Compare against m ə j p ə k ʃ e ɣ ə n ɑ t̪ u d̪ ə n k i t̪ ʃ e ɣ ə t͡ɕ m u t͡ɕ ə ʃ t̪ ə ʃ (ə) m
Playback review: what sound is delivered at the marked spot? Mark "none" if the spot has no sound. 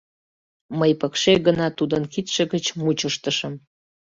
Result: ə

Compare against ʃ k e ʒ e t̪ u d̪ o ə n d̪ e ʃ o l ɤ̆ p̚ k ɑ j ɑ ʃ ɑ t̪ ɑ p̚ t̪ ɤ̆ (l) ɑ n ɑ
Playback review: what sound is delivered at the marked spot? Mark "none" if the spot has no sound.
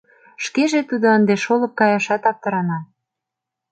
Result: ɾ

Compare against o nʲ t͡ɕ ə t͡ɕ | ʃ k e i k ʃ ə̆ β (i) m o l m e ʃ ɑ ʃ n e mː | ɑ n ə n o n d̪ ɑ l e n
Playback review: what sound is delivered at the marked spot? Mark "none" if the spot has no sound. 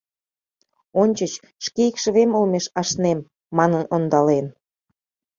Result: e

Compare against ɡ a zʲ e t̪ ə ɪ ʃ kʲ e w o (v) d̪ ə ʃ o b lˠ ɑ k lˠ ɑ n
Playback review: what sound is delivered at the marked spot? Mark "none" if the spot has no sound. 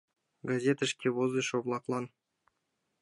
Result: z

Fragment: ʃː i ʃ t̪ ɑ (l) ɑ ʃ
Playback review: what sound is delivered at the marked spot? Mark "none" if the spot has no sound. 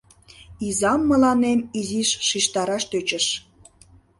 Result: ɾ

